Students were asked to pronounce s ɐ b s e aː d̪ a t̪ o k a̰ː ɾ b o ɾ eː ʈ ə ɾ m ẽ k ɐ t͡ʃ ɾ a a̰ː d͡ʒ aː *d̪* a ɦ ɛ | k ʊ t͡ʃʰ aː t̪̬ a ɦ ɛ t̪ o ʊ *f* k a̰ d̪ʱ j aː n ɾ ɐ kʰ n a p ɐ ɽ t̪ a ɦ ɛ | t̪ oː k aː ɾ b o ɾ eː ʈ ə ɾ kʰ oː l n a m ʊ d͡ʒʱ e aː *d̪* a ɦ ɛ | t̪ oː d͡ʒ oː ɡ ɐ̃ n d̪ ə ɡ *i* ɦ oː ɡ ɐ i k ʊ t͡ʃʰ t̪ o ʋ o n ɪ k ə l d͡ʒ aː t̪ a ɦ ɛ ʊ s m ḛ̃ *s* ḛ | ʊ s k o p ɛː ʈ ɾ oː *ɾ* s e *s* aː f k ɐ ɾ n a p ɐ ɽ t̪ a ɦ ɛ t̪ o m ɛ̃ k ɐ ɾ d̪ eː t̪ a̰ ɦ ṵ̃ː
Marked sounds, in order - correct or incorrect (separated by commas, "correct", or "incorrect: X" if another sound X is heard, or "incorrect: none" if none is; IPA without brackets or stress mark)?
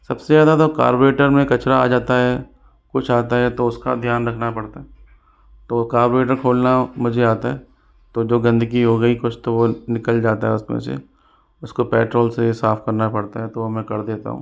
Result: incorrect: t̪, incorrect: s, incorrect: t̪, correct, correct, incorrect: l, correct